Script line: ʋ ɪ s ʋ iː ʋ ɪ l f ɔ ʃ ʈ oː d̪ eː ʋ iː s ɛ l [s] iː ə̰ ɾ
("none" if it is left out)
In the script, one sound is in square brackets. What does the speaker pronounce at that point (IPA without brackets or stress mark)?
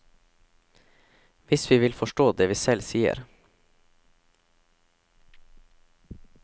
s